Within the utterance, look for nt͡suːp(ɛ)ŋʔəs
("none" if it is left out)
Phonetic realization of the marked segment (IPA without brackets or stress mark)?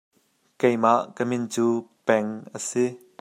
ɛ